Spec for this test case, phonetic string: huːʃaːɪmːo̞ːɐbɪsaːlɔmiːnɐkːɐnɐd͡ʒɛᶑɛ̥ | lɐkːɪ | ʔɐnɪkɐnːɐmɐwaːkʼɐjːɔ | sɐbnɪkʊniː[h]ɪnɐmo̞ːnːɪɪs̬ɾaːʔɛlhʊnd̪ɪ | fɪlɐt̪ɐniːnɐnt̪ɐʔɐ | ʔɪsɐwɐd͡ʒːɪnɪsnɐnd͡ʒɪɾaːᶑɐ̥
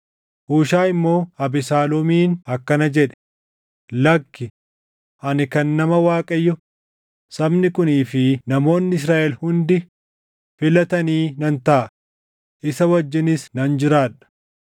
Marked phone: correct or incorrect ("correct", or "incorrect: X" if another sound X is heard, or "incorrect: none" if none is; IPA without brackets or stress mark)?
incorrect: f